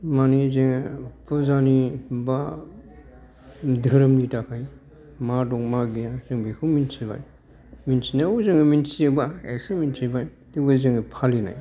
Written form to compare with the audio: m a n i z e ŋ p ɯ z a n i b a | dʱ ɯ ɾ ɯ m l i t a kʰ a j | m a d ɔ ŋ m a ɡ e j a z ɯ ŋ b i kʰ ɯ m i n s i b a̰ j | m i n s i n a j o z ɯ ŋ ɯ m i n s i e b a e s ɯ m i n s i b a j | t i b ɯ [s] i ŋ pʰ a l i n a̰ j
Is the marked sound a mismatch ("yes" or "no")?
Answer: yes